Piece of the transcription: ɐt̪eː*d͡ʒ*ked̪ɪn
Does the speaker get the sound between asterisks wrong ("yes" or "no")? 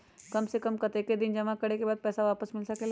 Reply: yes